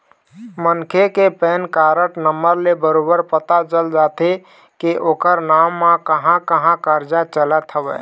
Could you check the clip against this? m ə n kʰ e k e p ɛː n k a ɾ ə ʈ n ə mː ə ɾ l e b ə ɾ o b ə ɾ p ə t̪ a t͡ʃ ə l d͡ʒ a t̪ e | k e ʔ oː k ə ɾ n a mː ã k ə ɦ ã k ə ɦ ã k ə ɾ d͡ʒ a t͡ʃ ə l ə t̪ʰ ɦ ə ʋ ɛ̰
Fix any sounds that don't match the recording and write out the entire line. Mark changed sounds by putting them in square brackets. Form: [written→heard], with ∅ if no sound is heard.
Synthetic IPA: m ə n kʰ e k e p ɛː n k a ɾ ə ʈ n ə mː ə ɾ l e b ə ɾ o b ə ɾ p ə t̪ a t͡ʃ ə l d͡ʒ a t̪ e | k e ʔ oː k ə ɾ n a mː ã k ə ɦ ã k ə ɦ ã k ə ɾ d͡ʒ a t͡ʃ ə l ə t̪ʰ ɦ ə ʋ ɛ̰